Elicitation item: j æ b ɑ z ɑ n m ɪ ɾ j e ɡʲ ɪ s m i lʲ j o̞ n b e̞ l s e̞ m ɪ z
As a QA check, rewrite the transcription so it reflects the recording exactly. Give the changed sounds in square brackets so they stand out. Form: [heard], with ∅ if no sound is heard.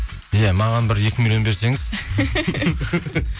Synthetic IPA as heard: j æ [m] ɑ [ʁ] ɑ n [b] ɪ ɾ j e [kʲ] ɪ [∅] m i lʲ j o̞ n b e̞ [ɾ] s e̞ [ŋ] ɪ z